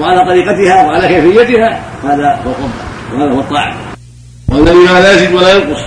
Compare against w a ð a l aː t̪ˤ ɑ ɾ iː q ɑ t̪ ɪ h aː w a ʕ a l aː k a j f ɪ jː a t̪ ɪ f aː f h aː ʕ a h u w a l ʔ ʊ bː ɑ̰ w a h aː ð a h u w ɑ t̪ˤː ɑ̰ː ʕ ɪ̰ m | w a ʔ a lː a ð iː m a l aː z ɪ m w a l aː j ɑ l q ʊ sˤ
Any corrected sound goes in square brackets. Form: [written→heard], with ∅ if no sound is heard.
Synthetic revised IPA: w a [ð→ʕ] a l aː t̪ˤ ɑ ɾ iː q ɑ t̪ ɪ h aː w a ʕ a l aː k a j f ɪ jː a t̪ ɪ [f→h] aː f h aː [ʕ→ð] a h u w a l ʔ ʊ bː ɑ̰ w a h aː ð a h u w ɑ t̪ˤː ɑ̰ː ʕ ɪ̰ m | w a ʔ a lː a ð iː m a l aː z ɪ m w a l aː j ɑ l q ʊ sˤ